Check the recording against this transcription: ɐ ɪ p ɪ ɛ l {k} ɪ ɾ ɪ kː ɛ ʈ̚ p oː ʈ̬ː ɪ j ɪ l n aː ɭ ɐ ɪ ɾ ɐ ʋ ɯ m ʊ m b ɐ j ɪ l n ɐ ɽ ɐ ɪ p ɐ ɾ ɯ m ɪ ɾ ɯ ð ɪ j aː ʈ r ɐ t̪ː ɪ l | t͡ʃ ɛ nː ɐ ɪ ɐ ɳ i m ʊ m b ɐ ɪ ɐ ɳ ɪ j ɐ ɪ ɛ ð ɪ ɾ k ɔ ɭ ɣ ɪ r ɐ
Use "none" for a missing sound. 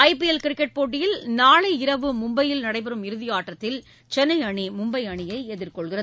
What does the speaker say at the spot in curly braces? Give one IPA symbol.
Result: k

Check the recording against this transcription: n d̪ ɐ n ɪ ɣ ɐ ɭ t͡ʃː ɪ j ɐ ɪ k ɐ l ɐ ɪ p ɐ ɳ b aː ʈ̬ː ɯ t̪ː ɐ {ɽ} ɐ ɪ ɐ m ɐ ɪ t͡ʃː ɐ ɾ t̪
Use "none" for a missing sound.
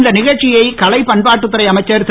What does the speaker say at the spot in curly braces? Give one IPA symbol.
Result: ɾ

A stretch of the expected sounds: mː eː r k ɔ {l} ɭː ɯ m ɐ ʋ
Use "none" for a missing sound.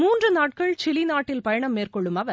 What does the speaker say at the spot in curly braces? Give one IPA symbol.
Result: none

